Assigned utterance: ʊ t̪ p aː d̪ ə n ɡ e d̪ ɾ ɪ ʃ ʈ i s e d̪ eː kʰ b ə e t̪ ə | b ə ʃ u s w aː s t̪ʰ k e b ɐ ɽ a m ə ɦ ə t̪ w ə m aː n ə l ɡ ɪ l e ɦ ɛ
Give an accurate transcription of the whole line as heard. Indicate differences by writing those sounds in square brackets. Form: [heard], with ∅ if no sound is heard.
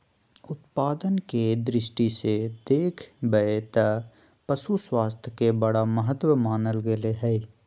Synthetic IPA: ʊ t̪ p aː d̪ ə n [k] e d̪ ɾ ɪ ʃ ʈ i s e d̪ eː kʰ b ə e t̪ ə | [p] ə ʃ u s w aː s t̪ʰ k e b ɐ ɽ a m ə ɦ ə t̪ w ə m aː n ə l ɡ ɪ l e ɦ ɛ